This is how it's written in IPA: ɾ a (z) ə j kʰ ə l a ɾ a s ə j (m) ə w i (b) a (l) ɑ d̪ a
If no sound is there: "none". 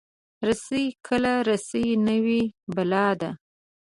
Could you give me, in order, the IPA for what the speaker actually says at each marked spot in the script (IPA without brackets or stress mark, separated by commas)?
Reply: s, n, b, l